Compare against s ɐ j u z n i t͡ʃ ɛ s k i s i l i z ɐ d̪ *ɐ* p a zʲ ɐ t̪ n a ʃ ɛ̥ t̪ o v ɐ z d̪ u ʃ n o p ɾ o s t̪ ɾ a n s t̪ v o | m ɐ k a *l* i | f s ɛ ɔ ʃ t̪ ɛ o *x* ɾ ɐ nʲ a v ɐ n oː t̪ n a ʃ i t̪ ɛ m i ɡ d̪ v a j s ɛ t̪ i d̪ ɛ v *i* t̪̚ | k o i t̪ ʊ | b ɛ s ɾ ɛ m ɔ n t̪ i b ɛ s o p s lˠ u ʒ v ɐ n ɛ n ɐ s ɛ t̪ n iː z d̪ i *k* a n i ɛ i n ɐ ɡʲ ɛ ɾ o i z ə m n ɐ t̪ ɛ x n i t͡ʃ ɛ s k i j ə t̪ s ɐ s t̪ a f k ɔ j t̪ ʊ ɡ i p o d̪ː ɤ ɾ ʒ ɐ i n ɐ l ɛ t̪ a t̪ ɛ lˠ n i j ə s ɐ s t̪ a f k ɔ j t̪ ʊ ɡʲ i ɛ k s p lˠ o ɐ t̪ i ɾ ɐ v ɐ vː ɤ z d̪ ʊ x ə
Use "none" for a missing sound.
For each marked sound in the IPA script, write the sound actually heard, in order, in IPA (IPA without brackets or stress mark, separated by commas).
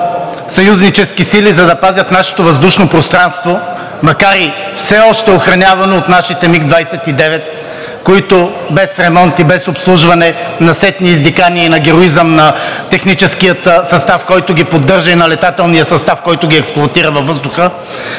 ɐ, ɾ, x, ɛ, k